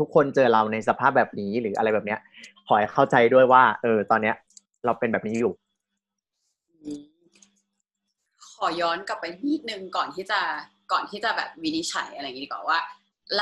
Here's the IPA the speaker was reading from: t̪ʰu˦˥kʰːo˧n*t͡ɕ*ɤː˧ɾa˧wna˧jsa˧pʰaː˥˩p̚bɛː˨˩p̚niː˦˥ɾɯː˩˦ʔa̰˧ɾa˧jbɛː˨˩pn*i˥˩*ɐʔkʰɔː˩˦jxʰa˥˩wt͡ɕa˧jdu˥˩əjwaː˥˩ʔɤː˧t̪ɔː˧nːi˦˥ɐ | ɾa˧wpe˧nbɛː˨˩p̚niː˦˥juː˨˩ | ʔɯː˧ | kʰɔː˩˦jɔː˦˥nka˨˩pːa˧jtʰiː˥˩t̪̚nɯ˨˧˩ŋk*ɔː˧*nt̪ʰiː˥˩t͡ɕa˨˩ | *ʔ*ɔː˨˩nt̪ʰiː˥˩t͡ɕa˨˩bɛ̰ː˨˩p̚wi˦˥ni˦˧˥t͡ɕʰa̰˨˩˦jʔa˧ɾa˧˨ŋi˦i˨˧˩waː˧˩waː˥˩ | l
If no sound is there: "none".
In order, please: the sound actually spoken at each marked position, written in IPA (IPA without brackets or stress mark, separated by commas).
t͡ɕ, i˦˥, ɔː˨˩, k